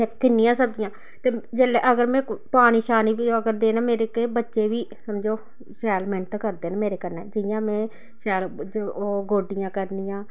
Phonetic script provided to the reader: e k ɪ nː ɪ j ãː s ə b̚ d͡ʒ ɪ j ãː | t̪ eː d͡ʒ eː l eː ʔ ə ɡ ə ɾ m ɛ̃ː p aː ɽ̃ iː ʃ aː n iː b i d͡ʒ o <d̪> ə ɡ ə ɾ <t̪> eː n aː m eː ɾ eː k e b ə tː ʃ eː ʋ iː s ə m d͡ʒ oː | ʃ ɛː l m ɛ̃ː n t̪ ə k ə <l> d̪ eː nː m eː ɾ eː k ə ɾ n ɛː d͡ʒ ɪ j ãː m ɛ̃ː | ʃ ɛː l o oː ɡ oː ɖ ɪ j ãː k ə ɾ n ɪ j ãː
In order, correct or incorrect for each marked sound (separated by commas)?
incorrect, incorrect, incorrect